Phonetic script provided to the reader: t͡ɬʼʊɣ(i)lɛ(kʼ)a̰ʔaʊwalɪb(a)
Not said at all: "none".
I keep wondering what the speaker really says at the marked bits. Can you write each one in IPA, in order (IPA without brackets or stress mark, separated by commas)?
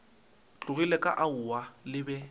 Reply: i, kʼ, ɛ